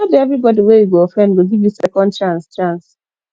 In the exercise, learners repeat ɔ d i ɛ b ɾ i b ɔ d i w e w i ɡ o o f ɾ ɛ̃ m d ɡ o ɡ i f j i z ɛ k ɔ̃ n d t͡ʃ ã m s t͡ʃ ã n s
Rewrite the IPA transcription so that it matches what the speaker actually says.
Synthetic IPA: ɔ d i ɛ v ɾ i b ɔ d i w e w i ɡ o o f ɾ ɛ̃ n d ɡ o ɡ i v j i s ɛ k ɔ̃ n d t͡ʃ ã n s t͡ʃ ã n s